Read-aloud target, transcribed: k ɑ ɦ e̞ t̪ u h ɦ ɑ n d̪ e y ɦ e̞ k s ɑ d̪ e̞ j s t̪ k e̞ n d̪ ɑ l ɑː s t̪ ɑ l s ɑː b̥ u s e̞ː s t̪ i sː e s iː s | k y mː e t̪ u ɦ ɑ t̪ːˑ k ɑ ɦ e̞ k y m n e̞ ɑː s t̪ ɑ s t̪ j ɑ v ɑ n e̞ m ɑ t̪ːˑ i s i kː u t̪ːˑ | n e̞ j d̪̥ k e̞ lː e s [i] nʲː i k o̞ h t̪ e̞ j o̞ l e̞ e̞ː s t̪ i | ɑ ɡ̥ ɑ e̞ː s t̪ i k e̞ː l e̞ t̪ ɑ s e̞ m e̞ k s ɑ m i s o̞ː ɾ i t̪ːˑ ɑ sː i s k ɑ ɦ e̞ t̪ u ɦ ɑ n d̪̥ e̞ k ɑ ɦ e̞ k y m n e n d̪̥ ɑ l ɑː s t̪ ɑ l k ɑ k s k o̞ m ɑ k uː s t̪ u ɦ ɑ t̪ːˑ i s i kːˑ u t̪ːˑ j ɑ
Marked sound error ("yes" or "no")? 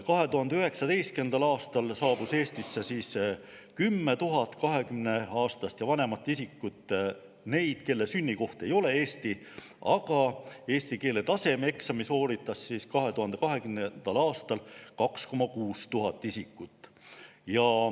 yes